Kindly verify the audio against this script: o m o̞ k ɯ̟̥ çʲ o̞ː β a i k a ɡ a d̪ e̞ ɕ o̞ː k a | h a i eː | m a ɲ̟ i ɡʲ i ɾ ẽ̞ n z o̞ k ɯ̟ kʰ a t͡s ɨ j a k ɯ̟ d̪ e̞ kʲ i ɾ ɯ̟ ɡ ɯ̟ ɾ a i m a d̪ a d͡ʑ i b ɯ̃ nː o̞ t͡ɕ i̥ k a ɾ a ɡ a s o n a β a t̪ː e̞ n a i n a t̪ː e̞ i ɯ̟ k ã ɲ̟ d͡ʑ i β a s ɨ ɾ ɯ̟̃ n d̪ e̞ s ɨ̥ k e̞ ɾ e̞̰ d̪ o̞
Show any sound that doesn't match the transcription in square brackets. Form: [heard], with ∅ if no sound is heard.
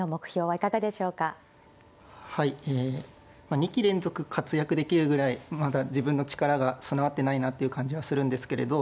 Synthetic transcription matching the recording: o m o̞ k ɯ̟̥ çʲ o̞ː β a i k a ɡ a d̪ e̞ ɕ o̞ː k a | h a i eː | m a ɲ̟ i [kʲ] i ɾ ẽ̞ n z o̞ k ɯ̟ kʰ a t͡s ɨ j a k ɯ̟ d̪ e̞ kʲ i ɾ ɯ̟ ɡ ɯ̟ ɾ a i m a d̪ a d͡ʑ i b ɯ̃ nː o̞ t͡ɕ i̥ k a ɾ a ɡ a s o n a β a t̪ː e̞ n a i n a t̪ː e̞ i ɯ̟ k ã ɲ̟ d͡ʑ i β a s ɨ ɾ ɯ̟̃ n d̪ e̞ s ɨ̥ k e̞ ɾ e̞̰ d̪ o̞

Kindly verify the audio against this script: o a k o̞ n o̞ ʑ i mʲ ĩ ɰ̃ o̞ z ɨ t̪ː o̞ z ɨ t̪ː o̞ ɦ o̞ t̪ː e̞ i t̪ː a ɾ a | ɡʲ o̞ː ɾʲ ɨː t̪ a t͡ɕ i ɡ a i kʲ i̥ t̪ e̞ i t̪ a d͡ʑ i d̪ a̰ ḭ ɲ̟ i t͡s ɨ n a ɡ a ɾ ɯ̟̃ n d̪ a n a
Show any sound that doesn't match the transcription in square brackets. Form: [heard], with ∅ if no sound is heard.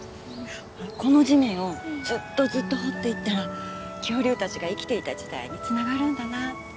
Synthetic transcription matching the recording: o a k o̞ n o̞ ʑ i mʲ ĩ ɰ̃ o̞ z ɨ t̪ː o̞ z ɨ t̪ː o̞ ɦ o̞ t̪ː e̞ i t̪ː a ɾ a | [kʲ] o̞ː ɾʲ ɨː t̪ a t͡ɕ i ɡ a i kʲ i̥ t̪ e̞ i t̪ a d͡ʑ i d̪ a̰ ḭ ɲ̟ i t͡s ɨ n a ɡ a ɾ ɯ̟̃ n d̪ a n a

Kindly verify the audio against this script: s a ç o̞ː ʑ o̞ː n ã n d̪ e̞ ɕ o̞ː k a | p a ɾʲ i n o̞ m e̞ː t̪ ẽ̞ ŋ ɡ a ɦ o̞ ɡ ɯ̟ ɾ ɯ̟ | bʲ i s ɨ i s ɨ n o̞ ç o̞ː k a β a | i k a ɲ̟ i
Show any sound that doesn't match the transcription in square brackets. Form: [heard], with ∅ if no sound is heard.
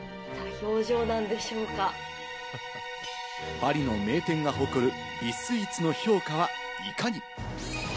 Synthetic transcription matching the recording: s a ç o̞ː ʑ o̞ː n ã n d̪ e̞ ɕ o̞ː k a | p a ɾʲ i n o̞ m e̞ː t̪ ẽ̞ ŋ ɡ a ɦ o̞ [k] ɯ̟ ɾ ɯ̟ | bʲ i s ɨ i [t͡s] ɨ n o̞ ç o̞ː k a β a | i k a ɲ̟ i

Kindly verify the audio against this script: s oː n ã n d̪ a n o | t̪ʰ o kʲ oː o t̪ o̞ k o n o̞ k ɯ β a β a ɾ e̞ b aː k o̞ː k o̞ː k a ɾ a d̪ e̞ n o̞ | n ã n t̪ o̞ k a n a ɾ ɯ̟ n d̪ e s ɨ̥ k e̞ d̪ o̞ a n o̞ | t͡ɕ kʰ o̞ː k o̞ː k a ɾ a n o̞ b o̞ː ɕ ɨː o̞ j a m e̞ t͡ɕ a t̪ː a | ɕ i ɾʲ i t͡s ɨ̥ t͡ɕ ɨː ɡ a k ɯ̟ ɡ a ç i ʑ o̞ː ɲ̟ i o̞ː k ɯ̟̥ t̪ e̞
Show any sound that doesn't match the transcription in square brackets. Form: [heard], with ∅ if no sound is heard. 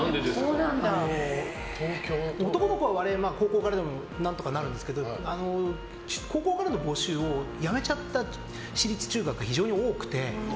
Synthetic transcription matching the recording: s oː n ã n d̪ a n o | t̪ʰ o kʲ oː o t̪ o̞ k o n o̞ k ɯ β a β a ɾ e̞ [m] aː k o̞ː k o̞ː k a ɾ a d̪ e̞ [m] o̞ | n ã n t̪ o̞ k a n a ɾ ɯ̟ n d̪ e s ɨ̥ k e̞ d̪ o̞ a n o̞ | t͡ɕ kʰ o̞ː k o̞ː k a ɾ a n o̞ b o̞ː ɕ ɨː o̞ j a m e̞ t͡ɕ a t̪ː a | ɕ i ɾʲ i t͡s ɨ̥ t͡ɕ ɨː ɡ a k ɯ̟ ɡ a ç i ʑ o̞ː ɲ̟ i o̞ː k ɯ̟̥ t̪ e̞

